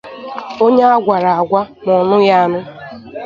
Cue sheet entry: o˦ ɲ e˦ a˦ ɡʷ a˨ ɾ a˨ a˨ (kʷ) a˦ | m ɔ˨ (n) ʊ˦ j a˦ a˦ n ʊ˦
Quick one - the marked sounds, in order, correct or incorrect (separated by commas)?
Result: incorrect, correct